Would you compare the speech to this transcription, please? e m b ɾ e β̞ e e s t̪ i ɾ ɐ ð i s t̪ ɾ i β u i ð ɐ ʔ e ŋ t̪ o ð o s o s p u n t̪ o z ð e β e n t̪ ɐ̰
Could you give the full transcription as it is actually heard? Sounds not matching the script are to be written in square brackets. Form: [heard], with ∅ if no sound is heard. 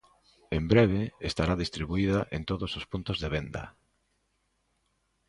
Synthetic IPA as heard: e m b ɾ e β̞ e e s t̪ [a] ɾ [a] ð i s t̪ ɾ i β u i ð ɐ ʔ e [n] t̪ o ð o s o s p u n t̪ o z ð e β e n [d̪] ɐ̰